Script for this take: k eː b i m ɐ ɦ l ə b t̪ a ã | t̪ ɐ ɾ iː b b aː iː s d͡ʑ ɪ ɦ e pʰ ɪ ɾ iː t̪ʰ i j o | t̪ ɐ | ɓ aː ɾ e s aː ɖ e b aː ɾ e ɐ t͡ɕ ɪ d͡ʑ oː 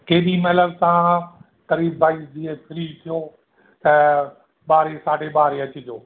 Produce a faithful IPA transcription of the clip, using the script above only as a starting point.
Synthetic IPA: k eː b i m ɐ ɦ l ə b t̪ a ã | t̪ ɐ ɾ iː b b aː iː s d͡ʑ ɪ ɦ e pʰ ɪ ɾ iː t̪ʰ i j o | t̪ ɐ | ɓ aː ɾ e s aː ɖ e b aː ɾ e ɐ t͡ɕ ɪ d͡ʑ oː

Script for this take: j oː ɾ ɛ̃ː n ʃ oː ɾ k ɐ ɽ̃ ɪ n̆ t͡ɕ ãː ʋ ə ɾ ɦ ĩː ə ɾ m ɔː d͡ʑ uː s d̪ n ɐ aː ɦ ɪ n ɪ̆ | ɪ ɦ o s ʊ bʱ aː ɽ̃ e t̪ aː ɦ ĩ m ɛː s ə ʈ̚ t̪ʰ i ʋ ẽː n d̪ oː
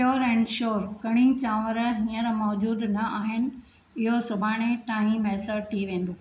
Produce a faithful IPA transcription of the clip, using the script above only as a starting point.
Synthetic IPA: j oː ɾ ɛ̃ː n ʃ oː ɾ k ɐ ɽ̃ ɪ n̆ t͡ɕ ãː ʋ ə ɾ ɦ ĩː ə ɾ m ɔː d͡ʑ uː d̪ n ɐ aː ɦ ɪ n ɪ̆ | ɪ ɦ o s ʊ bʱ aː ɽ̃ e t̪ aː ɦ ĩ m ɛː s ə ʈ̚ t̪ʰ i ʋ ẽː n d̪ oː

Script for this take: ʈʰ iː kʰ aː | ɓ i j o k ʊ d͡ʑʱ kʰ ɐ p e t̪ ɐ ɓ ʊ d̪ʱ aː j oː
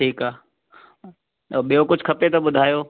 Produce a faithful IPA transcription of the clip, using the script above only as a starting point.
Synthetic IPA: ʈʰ iː k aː | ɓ i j o k ʊ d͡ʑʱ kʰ ɐ p e t̪ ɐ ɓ ʊ d̪ʱ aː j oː

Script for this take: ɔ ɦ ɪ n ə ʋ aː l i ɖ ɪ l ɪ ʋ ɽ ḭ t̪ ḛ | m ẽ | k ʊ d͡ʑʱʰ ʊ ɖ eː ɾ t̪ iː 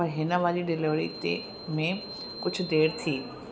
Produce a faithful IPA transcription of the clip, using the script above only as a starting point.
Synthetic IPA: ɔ ɦ ɪ n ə ʋ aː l i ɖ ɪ l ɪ ʋ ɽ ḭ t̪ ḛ | m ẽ | k ʊ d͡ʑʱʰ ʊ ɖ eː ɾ t̪ʰ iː

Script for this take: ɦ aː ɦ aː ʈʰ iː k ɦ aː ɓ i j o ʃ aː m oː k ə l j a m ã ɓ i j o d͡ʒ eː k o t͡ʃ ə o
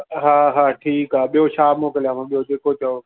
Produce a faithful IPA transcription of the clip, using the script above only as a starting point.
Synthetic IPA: ɦ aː ɦ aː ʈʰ iː k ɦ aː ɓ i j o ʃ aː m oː k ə l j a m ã ɓ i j o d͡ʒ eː k o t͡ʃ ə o

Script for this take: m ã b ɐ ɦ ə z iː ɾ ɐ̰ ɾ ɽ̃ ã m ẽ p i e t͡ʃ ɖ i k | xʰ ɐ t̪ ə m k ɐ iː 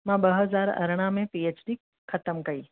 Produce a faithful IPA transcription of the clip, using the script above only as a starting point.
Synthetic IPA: m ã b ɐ ɦ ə z aː ɾ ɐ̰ ɾ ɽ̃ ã m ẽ p i e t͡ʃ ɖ i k | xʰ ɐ t̪ ə m k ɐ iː

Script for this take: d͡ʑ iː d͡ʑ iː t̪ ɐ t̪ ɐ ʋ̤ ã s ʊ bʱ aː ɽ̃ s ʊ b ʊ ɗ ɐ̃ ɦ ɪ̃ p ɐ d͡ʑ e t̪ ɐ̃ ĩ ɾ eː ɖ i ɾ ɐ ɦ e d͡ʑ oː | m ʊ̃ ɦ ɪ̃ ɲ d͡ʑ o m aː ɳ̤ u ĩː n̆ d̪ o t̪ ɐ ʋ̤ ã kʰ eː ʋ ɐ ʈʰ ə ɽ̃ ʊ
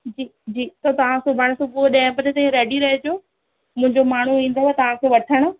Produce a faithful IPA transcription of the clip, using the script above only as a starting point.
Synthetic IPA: d͡ʑ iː d͡ʑ iː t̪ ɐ t̪ ɐ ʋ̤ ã s ʊ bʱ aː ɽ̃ s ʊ b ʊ ɗ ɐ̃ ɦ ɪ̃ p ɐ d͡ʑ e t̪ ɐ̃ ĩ ɾ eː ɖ i ɾ ɐ ɦ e d͡ʑ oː | m ʊ̃ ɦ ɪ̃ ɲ d͡ʑ o m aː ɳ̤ u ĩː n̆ d̪ o t̪ ɐ ʋ̤ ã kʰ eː ʋ ɐ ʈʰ ə ɽ̃ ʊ

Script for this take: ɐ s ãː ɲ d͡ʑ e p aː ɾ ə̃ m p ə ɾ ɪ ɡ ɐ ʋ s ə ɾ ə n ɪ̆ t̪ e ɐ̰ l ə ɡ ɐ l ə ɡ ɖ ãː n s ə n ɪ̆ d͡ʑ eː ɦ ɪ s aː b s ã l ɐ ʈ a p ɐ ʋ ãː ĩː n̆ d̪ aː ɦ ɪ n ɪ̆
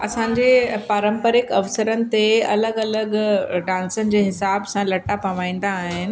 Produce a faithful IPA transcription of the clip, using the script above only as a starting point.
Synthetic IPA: ɐ s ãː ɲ d͡ʑ e p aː ɾ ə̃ m p ə ɾ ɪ k ɐ ʋ s ə ɾ ə n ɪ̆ t̪ e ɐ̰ l ə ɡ ɐ l ə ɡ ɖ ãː n s ə n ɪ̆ d͡ʑ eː ɦ ɪ s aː b s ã l ɐ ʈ a p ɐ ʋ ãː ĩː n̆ d̪ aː ɦ ɪ n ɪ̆

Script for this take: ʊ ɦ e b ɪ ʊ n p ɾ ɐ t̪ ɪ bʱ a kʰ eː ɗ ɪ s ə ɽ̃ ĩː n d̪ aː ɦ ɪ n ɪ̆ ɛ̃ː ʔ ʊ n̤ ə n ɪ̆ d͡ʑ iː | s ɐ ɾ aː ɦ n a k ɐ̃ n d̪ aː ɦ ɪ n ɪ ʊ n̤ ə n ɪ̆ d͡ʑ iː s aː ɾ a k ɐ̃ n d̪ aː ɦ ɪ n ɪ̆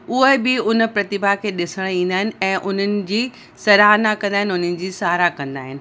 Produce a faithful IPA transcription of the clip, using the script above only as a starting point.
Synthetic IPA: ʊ ɦ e b ɪ ʊ n p ɾ ɐ t̪ ɪ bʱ a kʰ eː ɗ ɪ s ə ɽ̃ ĩː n d̪ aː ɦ ɪ n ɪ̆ ɛ̃ː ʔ ʊ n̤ ə n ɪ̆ d͡ʑ iː | s ɐ ɾ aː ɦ n a k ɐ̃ n d̪ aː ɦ ɪ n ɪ ʊ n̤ ə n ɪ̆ d͡ʑ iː s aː ɾ a k ɐ̃ n d̪ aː ɦ ɪ n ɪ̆

